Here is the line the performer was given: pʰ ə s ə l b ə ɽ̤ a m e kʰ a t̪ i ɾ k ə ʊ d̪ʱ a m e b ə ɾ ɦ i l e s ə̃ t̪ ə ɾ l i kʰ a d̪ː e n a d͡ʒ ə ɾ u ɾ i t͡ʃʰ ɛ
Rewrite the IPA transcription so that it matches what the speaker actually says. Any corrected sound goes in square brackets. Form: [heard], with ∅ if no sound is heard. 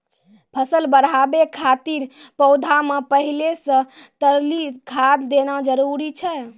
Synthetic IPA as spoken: pʰ ə s ə l b ə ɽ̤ a [b] e kʰ a t̪ i ɾ [p] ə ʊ d̪ʱ a m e [p] ə [∅] ɦ i l e s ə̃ t̪ ə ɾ l i kʰ a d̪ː e n a d͡ʒ ə ɾ u ɾ i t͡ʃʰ ɛ